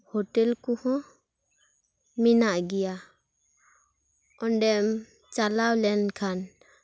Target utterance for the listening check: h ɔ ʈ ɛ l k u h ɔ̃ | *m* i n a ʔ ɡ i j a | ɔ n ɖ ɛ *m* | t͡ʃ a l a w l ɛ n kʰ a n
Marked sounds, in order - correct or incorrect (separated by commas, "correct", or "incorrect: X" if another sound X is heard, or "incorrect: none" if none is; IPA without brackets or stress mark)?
correct, correct